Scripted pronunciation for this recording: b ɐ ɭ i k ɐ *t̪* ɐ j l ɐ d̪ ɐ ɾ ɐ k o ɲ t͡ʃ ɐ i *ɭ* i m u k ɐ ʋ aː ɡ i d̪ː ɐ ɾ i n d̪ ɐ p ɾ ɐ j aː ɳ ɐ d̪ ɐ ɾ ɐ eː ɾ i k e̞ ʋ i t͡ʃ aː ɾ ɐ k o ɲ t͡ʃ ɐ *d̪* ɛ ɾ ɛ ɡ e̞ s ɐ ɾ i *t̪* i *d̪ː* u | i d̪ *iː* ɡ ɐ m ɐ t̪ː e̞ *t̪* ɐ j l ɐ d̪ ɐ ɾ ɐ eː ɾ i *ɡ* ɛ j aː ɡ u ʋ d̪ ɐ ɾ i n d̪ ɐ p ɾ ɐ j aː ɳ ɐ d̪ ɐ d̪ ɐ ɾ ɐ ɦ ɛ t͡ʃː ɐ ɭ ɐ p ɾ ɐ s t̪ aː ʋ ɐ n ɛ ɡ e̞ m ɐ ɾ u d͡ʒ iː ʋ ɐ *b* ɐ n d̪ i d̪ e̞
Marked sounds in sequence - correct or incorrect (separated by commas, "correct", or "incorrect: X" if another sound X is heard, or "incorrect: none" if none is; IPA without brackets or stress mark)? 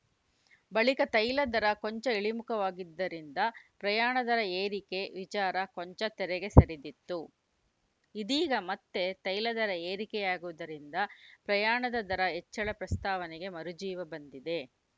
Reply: correct, correct, incorrect: t̪, incorrect: d̪, incorrect: t̪ː, correct, correct, incorrect: k, correct